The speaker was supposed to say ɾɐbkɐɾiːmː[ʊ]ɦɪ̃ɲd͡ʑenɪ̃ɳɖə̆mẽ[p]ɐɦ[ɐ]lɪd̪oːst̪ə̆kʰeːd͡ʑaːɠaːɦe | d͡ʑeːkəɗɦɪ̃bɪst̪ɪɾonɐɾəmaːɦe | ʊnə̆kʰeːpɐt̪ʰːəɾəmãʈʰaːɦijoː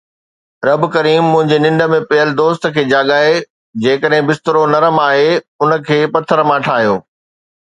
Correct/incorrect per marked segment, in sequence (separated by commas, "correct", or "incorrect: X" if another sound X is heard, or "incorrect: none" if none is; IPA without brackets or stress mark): incorrect: ʊ̃, correct, incorrect: ə